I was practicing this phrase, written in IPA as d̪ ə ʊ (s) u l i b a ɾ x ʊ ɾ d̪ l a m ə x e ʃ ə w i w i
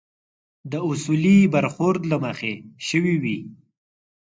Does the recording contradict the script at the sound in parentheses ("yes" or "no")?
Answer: no